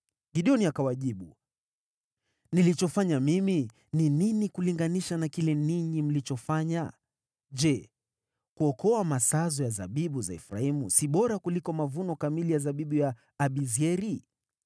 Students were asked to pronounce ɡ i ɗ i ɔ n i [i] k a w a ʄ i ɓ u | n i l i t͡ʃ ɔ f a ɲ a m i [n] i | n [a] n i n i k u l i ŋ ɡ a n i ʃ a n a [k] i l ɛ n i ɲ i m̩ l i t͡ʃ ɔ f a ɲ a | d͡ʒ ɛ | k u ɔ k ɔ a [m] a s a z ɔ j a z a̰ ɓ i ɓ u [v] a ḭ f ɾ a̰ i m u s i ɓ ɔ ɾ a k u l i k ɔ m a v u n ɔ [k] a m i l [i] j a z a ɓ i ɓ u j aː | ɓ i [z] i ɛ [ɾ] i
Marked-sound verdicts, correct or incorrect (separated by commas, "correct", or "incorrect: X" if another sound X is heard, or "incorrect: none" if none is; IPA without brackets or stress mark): incorrect: a, incorrect: m, incorrect: i, correct, correct, incorrect: z, correct, correct, correct, correct